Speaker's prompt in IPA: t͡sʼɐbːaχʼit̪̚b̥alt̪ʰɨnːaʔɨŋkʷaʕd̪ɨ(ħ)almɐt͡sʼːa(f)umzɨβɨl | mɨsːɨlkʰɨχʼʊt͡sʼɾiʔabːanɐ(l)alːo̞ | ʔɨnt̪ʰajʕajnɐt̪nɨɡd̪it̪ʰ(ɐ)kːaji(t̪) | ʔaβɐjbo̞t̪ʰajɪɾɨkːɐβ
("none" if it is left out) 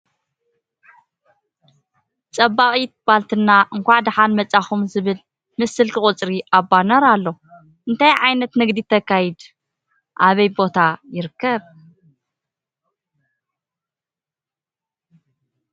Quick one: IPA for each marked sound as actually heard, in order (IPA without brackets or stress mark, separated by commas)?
ħ, x, ɾ, ɐ, d̪